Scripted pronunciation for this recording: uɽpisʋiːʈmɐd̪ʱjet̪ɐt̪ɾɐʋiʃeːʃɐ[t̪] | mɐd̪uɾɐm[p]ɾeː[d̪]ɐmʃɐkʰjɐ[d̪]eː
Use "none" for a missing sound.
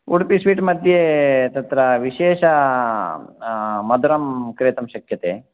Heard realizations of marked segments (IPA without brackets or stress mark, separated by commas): none, k, t̪, t̪